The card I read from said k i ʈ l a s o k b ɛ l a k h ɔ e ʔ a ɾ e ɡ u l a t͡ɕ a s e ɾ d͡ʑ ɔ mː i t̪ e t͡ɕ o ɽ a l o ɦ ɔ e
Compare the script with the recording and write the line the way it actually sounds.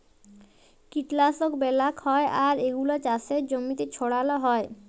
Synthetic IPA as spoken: k i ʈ l a s o k b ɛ l a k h ɔ e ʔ a ɾ e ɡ u l a t͡ɕ a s e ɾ d͡ʑ o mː i t̪ e t͡ɕʰ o ɽ a l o ɦ ɔ e